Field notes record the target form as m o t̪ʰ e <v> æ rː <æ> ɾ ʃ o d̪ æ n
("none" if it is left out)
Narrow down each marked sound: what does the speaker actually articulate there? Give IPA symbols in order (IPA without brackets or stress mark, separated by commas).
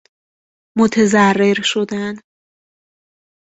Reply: z, e